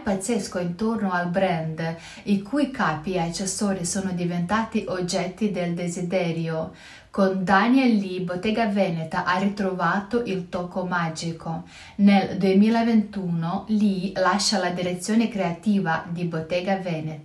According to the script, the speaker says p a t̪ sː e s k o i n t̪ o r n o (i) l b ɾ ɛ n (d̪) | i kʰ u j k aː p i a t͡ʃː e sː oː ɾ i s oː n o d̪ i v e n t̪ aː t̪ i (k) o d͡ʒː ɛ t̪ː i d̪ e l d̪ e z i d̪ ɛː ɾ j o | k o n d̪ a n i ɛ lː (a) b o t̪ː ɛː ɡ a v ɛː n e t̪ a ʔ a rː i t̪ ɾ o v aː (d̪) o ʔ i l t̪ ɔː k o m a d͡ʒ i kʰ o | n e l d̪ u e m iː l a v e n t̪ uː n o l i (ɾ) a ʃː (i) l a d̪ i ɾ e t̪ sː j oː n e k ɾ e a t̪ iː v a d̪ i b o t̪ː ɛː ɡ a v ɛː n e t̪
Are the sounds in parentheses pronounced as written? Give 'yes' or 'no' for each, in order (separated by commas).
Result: no, yes, no, no, no, no, no